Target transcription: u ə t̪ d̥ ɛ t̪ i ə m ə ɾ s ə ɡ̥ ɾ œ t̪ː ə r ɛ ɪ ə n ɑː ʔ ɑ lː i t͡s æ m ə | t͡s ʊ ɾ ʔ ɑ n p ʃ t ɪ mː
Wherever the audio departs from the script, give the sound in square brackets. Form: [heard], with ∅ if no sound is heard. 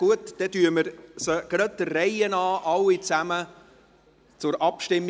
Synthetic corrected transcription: u ə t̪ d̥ ɛ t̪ [y] ə m ə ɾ s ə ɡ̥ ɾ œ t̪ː ə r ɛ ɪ ə n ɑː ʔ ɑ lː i t͡s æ m ə | t͡s ʊ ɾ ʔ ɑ [∅] p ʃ t ɪ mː